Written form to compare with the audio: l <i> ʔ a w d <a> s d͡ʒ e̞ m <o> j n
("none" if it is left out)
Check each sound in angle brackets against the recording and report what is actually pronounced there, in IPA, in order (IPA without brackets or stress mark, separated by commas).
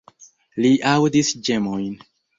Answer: i, i, o